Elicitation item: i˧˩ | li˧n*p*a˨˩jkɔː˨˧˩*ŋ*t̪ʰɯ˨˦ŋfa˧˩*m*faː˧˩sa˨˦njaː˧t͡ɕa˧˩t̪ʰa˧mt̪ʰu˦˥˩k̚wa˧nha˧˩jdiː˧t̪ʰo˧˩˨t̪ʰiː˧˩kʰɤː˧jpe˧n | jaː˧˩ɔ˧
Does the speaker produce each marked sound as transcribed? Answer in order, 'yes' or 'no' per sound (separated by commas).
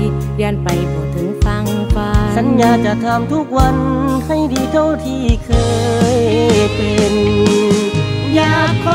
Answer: yes, no, no